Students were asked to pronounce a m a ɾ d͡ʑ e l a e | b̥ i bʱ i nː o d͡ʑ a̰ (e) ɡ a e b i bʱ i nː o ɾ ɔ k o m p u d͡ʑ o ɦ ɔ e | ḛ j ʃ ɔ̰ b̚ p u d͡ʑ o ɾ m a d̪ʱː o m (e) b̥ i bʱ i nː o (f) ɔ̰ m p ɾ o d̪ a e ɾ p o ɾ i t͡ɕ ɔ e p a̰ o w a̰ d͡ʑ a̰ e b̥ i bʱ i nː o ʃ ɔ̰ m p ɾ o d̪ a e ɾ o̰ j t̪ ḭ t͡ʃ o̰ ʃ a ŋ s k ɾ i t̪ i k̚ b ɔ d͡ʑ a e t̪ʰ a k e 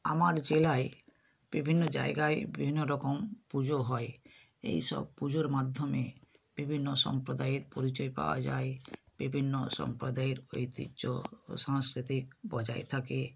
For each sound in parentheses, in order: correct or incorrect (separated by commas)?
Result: correct, correct, incorrect